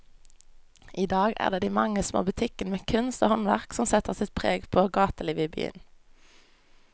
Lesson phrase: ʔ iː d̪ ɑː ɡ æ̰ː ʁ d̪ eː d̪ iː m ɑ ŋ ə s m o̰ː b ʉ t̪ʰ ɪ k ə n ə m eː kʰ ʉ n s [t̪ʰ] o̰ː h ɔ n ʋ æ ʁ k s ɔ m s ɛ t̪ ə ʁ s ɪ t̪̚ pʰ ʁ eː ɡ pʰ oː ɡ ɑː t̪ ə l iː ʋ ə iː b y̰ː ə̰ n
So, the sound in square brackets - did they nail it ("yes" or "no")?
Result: no